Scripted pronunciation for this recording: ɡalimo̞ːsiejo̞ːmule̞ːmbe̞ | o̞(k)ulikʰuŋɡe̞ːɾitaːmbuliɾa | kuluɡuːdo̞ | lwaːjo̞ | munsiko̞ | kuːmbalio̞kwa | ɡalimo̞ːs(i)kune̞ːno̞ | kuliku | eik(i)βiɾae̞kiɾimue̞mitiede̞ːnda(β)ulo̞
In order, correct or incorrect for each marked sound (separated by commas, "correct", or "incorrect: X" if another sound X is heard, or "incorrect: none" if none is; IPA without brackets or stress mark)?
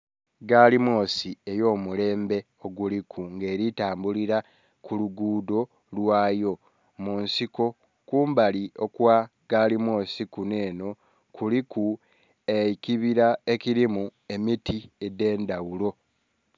incorrect: ɡ, correct, correct, incorrect: w